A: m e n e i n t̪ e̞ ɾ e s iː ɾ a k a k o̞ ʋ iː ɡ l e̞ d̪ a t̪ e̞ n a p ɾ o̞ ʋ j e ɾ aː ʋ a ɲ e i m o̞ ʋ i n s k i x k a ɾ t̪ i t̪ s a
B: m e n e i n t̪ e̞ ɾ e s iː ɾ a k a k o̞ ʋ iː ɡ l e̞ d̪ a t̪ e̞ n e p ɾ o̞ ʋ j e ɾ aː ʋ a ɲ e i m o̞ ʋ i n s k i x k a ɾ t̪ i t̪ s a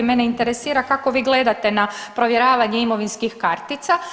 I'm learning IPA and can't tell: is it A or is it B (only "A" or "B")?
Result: A